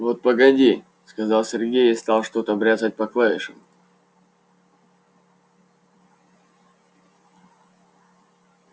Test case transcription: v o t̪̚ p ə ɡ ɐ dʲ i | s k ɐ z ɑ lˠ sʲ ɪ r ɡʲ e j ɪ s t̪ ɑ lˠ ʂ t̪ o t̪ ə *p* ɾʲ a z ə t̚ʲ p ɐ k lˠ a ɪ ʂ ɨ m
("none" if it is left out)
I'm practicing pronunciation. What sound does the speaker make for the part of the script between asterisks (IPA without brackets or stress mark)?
b